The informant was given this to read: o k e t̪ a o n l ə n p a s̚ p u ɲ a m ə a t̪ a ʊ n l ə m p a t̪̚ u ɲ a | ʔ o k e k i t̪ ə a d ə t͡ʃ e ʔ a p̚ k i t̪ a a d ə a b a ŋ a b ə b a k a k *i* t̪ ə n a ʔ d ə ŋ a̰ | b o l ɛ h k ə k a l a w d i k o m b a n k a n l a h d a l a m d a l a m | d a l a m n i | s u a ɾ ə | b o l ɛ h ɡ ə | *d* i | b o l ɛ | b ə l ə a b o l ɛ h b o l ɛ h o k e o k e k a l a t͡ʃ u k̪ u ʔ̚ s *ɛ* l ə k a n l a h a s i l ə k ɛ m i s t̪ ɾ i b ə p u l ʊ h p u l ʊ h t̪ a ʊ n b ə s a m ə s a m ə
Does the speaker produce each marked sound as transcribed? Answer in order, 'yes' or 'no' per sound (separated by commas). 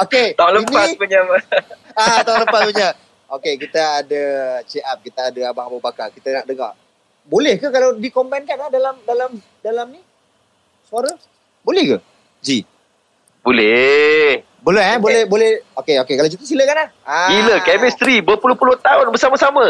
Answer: yes, no, no